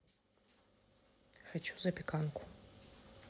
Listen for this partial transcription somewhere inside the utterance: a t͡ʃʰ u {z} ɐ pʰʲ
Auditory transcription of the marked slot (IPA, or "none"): z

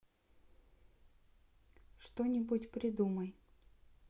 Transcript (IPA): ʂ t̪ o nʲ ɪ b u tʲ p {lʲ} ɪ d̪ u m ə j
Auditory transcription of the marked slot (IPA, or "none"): ɾʲ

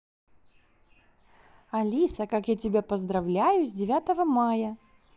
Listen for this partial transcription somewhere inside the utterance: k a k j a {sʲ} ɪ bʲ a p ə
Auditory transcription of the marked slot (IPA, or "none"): tʲ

